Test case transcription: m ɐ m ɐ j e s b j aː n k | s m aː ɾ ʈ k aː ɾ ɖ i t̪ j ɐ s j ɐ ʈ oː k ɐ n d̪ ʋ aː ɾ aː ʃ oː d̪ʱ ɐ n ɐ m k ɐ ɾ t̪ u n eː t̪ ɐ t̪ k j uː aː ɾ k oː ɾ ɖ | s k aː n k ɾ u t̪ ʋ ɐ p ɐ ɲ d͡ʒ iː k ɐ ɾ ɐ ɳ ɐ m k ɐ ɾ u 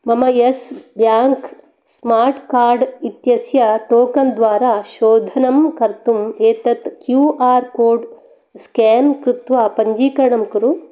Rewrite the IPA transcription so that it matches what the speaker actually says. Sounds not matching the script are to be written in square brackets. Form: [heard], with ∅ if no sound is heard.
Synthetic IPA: m ɐ m ɐ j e s b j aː [ŋ] k | s m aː ɾ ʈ k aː ɾ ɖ i t̪ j ɐ s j ɐ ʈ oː k ɐ n d̪ ʋ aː ɾ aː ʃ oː d̪ʱ ɐ n ɐ m k ɐ ɾ t̪ u [m] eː t̪ ɐ t̪ k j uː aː ɾ k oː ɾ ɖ | s k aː n k ɾ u t̪ ʋ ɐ p ɐ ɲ d͡ʒ iː k ɐ ɾ ɐ ɳ ɐ m k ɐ ɾ u